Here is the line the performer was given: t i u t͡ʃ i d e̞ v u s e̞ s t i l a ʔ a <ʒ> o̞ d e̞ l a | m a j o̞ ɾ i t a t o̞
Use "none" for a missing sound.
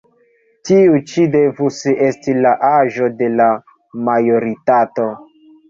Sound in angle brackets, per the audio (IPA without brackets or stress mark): ʒ